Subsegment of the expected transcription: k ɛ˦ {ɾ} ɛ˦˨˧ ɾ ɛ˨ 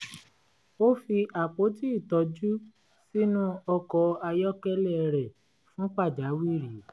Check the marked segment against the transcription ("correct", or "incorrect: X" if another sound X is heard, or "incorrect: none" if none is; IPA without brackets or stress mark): incorrect: l